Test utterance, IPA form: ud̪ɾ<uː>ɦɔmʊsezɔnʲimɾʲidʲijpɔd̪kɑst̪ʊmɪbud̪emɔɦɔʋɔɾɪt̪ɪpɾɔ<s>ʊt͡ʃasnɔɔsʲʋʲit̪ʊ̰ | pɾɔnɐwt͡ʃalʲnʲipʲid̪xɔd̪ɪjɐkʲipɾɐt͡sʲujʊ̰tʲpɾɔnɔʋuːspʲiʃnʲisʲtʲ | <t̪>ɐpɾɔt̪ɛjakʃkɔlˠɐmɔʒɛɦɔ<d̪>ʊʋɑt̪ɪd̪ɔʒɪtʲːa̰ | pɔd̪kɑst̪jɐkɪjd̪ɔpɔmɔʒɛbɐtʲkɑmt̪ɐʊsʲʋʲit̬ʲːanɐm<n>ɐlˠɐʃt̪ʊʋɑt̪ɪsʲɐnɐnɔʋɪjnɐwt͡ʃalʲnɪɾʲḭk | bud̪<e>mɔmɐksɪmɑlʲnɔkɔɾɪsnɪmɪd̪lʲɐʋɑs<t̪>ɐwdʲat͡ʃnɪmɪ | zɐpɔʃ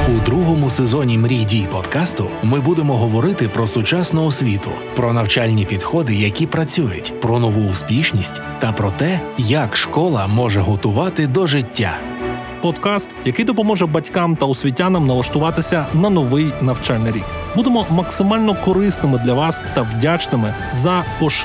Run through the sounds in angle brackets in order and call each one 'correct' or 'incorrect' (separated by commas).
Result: incorrect, correct, correct, incorrect, correct, correct, correct